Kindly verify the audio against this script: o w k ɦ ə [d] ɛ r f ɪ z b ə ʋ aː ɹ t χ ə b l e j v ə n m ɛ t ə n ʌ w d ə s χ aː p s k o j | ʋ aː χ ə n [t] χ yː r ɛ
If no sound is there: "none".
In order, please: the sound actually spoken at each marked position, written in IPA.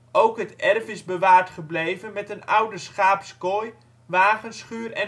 t, s

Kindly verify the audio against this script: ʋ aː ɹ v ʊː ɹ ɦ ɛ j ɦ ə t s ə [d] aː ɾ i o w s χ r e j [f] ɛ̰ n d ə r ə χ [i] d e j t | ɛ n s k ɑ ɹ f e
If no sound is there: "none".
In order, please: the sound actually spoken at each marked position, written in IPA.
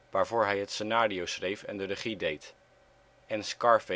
n, f, i

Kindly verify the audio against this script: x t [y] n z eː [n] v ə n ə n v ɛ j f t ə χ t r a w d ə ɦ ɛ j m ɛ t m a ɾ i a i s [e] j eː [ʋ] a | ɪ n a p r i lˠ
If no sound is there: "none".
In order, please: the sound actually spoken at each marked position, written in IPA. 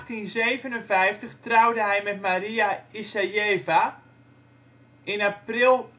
i, none, a, v

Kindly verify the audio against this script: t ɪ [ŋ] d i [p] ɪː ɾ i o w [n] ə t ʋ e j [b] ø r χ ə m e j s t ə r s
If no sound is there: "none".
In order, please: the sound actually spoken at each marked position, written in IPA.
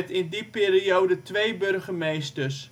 n, p, d, b

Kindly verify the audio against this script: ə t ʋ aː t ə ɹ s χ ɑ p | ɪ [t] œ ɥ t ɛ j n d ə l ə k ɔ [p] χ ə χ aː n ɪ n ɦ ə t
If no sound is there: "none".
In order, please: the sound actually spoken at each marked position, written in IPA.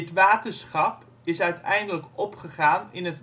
s, p

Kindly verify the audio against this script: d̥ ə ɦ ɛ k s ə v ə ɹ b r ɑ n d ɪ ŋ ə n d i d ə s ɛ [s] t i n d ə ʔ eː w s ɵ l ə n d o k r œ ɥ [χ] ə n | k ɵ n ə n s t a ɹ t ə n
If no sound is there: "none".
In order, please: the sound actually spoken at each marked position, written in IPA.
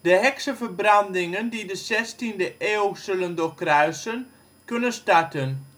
s, s

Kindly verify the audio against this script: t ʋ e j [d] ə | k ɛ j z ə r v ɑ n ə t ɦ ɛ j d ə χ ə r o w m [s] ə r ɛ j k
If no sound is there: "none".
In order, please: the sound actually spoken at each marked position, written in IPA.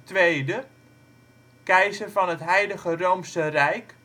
d, s

